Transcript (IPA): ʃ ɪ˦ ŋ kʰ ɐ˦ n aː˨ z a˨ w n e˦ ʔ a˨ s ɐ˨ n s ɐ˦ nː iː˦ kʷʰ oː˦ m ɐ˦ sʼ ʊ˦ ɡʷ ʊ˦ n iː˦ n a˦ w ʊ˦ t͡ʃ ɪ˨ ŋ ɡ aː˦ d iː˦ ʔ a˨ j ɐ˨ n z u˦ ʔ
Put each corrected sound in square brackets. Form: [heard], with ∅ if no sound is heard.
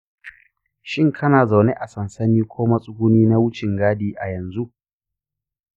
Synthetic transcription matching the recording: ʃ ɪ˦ ŋ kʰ ɐ˦ n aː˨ z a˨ w n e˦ ʔ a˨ s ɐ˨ n s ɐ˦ [n] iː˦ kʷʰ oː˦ m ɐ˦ sʼ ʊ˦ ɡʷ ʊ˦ n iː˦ n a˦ w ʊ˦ t͡ʃ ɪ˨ ŋ ɡ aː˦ d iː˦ ʔ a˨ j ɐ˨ n z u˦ ʔ